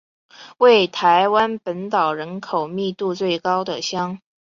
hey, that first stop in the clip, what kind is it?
aspirated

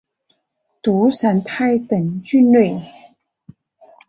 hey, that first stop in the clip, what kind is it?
plain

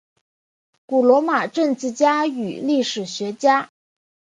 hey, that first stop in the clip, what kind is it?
plain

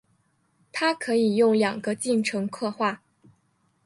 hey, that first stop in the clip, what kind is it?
aspirated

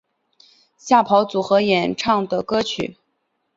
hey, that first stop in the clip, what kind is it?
aspirated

